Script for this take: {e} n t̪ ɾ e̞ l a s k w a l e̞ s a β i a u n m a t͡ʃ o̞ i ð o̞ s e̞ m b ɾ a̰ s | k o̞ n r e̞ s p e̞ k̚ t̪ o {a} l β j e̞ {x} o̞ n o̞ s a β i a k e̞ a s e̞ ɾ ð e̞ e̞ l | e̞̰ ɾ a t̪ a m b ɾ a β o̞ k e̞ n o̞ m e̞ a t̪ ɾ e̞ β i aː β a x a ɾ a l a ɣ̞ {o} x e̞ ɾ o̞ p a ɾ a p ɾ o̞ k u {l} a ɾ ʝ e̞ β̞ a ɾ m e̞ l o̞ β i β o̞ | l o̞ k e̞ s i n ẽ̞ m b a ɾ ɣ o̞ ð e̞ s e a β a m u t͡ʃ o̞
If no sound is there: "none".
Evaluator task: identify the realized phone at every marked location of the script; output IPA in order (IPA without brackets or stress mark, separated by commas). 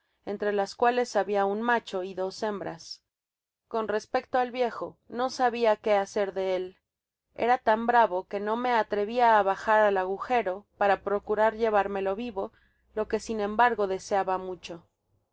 e, a, x, u, ɾ